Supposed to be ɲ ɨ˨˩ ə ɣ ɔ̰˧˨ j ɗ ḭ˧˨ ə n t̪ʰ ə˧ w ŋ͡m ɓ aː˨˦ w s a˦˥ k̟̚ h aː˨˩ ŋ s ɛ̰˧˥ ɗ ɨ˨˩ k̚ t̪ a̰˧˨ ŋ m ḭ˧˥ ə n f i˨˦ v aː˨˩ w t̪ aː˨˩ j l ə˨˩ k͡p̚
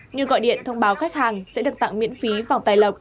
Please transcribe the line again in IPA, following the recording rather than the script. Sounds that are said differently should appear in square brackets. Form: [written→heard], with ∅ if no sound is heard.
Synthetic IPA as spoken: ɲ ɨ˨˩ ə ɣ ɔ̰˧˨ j ɗ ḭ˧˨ ə n t̪ʰ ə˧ w ŋ͡m ɓ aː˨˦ w [s→x] a˦˥ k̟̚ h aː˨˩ ŋ s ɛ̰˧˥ ɗ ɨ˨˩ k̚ t̪ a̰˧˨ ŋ m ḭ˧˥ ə n f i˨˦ v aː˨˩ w t̪ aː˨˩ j l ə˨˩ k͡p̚